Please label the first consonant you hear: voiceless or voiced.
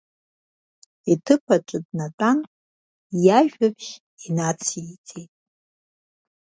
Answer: voiceless